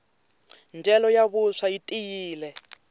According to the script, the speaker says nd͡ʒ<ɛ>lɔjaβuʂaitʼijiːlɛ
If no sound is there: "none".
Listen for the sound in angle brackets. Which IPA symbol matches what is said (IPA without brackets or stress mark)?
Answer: ɛ